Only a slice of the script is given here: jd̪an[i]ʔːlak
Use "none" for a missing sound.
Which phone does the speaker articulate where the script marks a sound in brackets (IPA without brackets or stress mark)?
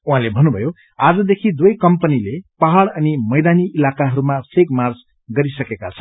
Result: i